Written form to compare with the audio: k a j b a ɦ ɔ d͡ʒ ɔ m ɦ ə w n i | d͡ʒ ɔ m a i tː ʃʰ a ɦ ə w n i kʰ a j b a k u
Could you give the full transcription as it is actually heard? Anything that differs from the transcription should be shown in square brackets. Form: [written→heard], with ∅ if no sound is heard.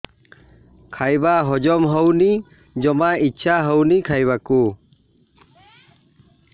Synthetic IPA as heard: [k→kʰ] a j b a ɦ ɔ d͡ʒ ɔ m ɦ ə w n i | d͡ʒ ɔ m a i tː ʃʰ a ɦ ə w n i kʰ a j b a k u